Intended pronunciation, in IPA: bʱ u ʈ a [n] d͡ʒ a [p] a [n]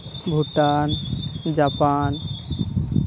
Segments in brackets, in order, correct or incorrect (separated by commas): correct, correct, correct